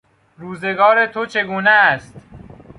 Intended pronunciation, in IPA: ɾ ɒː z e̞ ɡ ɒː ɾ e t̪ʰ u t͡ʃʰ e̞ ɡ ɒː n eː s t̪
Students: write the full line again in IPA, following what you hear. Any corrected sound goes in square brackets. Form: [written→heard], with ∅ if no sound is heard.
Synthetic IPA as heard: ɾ [ɒː→uː] z e̞ ɡ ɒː ɾ e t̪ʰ [u→o] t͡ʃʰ e̞ ɡ [ɒː→uː] n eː s t̪